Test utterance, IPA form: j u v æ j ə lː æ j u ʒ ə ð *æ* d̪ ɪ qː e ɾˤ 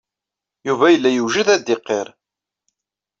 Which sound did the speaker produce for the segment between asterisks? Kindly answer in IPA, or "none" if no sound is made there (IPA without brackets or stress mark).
æ